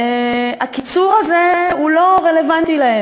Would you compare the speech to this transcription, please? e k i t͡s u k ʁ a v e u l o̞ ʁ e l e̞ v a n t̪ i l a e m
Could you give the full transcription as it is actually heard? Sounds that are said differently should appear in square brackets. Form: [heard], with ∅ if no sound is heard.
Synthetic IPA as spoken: [a] k i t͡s u [∅] ʁ a [z] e u l o̞ ʁ e l e̞ v a n t̪ i l a e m